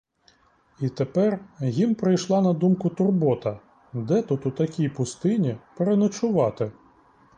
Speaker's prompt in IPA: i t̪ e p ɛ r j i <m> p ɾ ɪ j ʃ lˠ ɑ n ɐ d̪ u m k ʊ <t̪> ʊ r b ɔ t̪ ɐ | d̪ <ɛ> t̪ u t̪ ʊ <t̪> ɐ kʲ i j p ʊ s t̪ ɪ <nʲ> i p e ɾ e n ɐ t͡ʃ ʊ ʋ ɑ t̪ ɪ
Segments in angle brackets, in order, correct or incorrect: correct, correct, correct, correct, correct

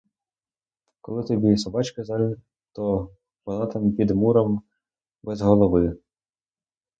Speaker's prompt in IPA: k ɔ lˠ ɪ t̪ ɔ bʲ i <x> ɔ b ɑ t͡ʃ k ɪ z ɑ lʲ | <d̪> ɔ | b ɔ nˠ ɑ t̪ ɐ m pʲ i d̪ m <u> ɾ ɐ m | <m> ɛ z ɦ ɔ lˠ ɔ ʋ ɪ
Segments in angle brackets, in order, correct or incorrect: incorrect, incorrect, correct, incorrect

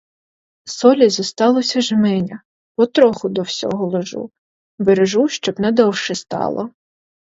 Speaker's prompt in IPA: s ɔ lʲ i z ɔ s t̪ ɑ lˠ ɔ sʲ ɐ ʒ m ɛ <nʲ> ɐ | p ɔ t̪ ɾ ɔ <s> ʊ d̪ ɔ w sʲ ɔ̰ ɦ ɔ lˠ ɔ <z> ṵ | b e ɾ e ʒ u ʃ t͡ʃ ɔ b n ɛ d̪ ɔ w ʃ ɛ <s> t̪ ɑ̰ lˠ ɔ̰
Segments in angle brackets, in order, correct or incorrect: correct, incorrect, incorrect, correct

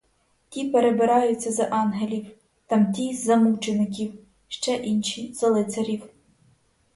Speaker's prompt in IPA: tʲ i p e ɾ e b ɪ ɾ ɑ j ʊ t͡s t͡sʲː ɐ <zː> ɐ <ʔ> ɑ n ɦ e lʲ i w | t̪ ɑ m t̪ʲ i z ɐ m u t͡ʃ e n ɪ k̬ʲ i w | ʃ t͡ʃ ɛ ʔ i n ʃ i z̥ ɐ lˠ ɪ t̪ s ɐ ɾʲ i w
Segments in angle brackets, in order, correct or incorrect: incorrect, correct

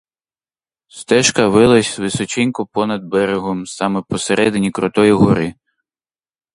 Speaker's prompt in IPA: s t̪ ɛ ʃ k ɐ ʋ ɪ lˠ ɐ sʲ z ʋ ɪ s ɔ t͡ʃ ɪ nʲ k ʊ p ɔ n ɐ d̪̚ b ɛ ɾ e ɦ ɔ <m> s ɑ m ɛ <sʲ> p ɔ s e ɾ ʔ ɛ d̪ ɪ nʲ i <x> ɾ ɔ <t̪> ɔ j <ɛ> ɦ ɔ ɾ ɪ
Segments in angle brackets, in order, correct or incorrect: correct, incorrect, incorrect, correct, incorrect

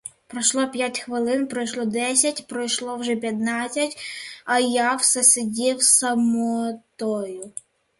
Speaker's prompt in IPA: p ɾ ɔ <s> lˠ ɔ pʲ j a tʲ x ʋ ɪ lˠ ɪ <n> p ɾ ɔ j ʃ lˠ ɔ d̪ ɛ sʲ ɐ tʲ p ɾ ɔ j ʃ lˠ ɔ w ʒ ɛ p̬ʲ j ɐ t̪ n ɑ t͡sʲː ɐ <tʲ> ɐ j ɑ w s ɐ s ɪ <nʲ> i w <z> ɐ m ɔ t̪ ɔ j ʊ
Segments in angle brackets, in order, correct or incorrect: incorrect, correct, correct, incorrect, incorrect

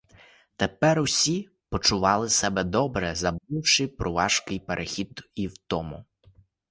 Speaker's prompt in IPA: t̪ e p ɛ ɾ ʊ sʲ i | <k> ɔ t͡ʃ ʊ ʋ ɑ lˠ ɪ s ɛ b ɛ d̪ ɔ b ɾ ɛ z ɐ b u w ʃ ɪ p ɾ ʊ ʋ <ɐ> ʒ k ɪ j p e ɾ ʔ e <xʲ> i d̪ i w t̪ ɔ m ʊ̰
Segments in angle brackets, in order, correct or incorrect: incorrect, incorrect, correct

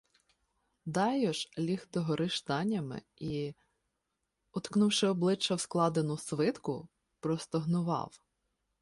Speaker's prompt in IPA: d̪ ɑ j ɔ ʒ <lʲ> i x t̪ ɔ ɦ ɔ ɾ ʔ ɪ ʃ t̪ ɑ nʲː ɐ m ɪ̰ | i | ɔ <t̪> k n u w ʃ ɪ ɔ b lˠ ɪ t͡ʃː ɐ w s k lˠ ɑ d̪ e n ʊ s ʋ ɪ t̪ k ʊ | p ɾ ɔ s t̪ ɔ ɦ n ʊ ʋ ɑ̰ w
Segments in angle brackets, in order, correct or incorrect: correct, correct

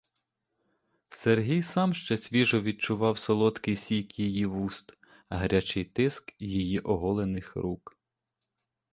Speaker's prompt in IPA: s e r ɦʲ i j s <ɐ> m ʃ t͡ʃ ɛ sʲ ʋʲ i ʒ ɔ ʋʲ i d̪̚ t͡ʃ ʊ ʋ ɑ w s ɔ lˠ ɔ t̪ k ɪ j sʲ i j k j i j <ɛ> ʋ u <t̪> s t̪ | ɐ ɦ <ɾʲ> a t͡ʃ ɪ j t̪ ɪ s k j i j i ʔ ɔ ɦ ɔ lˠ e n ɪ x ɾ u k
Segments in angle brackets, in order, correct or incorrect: incorrect, incorrect, incorrect, correct

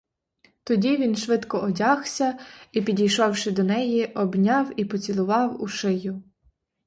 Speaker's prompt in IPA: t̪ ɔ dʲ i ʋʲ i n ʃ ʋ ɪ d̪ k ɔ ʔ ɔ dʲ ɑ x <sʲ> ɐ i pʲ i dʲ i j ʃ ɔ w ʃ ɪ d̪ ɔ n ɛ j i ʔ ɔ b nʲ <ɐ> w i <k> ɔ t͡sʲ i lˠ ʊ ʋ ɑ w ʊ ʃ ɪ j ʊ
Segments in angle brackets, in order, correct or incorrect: correct, incorrect, incorrect

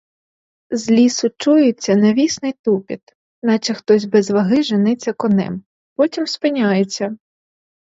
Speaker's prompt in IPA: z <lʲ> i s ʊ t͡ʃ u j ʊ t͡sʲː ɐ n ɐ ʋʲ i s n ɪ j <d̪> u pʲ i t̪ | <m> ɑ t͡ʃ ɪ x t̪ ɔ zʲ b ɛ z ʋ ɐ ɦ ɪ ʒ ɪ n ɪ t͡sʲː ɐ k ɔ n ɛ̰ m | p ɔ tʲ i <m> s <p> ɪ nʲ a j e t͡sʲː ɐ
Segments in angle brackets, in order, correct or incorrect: correct, incorrect, incorrect, correct, correct

